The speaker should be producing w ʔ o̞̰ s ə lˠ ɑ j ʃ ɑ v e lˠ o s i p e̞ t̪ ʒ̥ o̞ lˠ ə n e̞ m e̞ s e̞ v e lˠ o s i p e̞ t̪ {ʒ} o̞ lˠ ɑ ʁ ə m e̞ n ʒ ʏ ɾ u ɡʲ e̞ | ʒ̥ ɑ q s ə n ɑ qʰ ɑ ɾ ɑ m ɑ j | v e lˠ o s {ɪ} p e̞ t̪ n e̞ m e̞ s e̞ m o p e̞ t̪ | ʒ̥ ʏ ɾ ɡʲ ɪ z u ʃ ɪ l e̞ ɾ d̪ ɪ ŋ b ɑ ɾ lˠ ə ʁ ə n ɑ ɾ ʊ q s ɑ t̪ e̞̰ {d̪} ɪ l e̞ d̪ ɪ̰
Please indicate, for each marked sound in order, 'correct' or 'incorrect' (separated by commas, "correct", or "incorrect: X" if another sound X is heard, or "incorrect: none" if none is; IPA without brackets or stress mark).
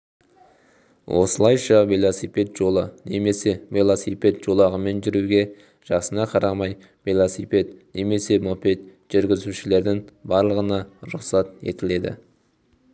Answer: correct, incorrect: i, incorrect: t̪